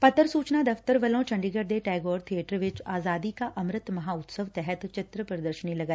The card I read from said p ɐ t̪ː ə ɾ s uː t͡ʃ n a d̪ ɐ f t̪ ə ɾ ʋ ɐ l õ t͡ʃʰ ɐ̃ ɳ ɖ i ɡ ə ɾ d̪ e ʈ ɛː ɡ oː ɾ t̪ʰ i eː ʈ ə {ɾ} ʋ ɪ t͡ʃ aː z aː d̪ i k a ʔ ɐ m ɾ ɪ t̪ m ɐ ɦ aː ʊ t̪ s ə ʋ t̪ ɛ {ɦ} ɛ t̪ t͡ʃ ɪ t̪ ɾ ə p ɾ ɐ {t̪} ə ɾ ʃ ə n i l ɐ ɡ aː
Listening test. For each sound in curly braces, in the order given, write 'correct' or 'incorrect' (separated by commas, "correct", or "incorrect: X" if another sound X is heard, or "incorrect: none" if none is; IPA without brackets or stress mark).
correct, correct, incorrect: d̪